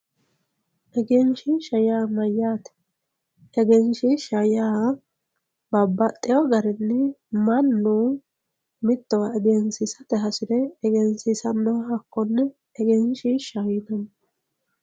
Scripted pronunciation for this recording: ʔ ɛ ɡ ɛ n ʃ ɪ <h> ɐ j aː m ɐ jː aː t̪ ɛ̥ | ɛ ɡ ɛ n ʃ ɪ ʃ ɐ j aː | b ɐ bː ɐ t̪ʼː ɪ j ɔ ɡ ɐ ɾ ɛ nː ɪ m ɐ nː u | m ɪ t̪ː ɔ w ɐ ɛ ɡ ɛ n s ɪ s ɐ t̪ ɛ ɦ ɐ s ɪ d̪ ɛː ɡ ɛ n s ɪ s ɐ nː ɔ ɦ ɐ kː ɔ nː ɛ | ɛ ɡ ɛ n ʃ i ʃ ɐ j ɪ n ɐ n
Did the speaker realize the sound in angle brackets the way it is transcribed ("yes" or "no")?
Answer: no